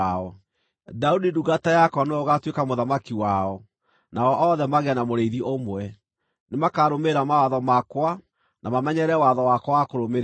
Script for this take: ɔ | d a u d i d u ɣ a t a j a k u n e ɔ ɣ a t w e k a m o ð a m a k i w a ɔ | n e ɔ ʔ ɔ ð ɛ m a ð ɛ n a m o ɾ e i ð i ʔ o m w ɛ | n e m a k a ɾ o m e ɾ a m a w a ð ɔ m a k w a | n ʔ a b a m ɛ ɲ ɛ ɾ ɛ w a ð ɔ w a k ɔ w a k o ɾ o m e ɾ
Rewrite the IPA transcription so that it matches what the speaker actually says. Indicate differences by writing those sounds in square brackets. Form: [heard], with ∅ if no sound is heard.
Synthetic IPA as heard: ɔ | d a u d i d u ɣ a t a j a k [ɔ] n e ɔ ɣ a t w e k a m o ð a m a k i w a ɔ | n [a] ɔ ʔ ɔ ð ɛ m a [ɣ] ɛ n a m o ɾ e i ð i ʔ o m w ɛ | n e m a k a ɾ o m e ɾ a m a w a ð ɔ m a k w a | n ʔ a [m] a m ɛ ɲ ɛ ɾ ɛ w a ð ɔ w a k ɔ w a k o ɾ o m e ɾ

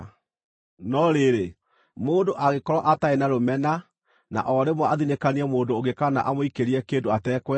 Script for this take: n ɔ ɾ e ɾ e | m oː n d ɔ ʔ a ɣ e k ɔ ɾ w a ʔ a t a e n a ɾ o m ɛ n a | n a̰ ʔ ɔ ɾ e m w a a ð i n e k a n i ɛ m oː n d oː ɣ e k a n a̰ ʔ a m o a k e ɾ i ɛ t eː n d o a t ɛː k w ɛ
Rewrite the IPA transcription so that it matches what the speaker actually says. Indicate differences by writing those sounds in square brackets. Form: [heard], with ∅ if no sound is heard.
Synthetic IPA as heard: n ɔ ɾ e ɾ e | m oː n d [o] ʔ a ɣ e k ɔ ɾ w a ʔ a t a e n a ɾ o m ɛ n a | n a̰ ʔ ɔ ɾ e m w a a ð i n e k a n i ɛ m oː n d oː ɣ e k a n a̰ ʔ a m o [i] k e ɾ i ɛ [k] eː n d o a t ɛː k w ɛ

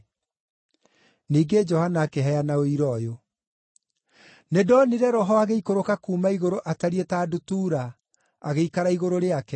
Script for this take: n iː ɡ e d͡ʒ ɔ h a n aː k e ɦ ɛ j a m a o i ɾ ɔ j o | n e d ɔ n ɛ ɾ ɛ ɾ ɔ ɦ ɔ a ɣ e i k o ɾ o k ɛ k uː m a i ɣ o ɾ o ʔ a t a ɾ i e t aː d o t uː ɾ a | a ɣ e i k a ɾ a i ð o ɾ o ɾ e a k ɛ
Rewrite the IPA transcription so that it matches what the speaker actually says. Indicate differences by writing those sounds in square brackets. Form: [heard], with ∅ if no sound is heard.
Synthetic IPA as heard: n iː ɡ e d͡ʒ ɔ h a n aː k e ɦ ɛ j a [n] a o i ɾ ɔ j o | n e d ɔ n [i] ɾ ɛ ɾ ɔ ɦ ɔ a ɣ e i k o ɾ o k [a] k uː m a i ɣ o ɾ o ʔ a t a ɾ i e t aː d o t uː ɾ a | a ɣ e i k a ɾ a i [ɣ] o ɾ o ɾ e a k ɛ

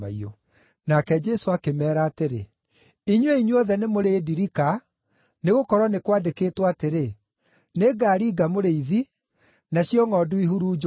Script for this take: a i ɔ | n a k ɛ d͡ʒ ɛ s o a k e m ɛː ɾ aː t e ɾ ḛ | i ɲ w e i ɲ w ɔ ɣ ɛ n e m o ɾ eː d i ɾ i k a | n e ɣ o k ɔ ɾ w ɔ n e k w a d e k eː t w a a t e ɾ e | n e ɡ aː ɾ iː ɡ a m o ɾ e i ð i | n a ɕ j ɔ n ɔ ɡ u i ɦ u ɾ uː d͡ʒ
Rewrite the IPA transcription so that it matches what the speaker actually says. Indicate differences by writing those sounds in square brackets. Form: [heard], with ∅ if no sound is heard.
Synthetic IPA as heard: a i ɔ | n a k ɛ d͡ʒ ɛ s o a k e m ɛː ɾ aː t e ɾ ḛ | i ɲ w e i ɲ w ɔ [ð] ɛ n e m o ɾ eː d i ɾ i k a | n e ɣ o k ɔ ɾ w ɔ n e k w a d e k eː t w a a t e ɾ e | n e ɡ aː ɾ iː ɡ a m o ɾ e i ð i | n a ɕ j ɔ [ŋ] ɔ [d] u i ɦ u ɾ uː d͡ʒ

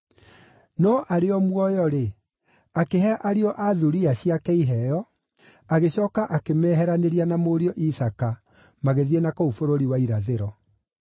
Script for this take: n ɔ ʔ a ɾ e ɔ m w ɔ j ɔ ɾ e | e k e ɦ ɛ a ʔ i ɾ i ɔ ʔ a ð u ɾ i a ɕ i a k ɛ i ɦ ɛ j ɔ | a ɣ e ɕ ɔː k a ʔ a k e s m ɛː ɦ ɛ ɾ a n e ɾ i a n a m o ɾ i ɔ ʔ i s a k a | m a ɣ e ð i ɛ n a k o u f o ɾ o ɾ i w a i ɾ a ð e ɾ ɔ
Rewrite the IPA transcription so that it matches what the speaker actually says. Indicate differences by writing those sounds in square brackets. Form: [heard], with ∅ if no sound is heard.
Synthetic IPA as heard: n ɔ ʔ a ɾ e ɔ m w ɔ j ɔ ɾ e | [a] k e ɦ ɛ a ʔ [a] ɾ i ɔ ʔ a ð u ɾ i a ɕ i a k ɛ i ɦ ɛ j ɔ | a ɣ e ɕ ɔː k a ʔ a k e [∅] m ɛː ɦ ɛ ɾ a n e ɾ i a n a m o ɾ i ɔ ʔ i s a k a | m a ɣ e ð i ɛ n a k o u f o ɾ o ɾ i w a i ɾ a ð e ɾ ɔ

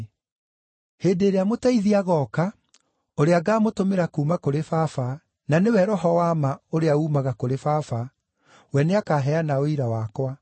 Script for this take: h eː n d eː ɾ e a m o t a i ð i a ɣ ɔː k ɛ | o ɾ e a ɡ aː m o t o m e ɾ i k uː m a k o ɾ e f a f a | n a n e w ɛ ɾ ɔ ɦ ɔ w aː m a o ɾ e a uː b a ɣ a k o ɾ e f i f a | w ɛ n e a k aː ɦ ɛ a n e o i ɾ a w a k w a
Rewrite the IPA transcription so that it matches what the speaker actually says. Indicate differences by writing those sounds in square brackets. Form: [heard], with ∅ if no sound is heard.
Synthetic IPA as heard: h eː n d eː ɾ e a m o t a i ð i a ɣ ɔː k [a] | o ɾ e a ɡ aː m o t o m e ɾ [a] k uː m a k o ɾ e f a f a | n a n e w ɛ ɾ ɔ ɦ ɔ w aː m a o ɾ e a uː [m] a ɣ a k o ɾ e f [a] f a | w ɛ n e a k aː ɦ ɛ a n [a] o i ɾ a w a k w a

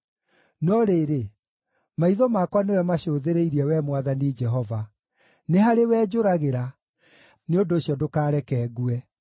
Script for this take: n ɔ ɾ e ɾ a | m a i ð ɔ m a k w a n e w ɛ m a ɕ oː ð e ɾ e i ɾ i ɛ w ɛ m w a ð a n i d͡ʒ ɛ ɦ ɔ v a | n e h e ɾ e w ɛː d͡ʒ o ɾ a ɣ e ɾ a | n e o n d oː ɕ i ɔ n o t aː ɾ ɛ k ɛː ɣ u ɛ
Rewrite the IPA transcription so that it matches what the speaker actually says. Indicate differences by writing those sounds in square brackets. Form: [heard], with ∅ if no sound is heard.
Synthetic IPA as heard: n ɔ ɾ e ɾ [e] | m a i ð ɔ m a k w a n e w ɛ m a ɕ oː ð e ɾ e i ɾ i ɛ w ɛ m w a ð a n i d͡ʒ ɛ ɦ ɔ v a | n e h [a] ɾ e w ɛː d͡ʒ o ɾ a ɣ e ɾ a | n e o n d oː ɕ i ɔ [d] o [k] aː ɾ ɛ k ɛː ɣ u ɛ

